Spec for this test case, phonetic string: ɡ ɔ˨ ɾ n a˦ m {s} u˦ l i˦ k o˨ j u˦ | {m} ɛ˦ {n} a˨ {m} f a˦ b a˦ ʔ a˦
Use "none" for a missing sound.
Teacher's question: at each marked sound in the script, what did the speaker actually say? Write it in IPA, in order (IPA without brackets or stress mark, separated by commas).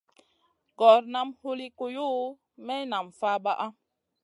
h, m, n, m